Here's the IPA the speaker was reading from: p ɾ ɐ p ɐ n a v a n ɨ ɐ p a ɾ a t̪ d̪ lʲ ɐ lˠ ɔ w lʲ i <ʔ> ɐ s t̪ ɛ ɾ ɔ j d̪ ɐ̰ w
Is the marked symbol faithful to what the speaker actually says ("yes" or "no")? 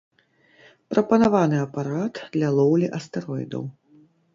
yes